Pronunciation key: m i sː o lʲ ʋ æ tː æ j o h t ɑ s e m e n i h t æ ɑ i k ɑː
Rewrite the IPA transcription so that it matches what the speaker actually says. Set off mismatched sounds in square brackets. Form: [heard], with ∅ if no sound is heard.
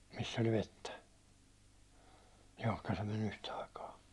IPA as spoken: m i sː o lʲ ʋ [e] tː æ j o h [k] ɑ s e m e n [y] h t æ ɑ i k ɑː